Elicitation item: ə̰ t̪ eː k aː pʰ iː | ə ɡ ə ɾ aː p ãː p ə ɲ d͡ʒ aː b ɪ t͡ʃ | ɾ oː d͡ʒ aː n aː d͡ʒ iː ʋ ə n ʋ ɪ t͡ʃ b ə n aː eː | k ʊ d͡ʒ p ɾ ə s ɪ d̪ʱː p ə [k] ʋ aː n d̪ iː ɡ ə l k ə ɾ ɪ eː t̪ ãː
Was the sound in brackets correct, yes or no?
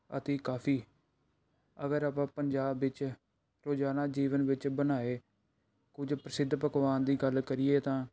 yes